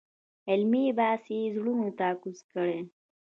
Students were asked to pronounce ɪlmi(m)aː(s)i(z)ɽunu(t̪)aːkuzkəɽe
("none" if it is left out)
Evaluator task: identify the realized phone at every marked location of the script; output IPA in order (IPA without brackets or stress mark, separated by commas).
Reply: b, s, z, t̪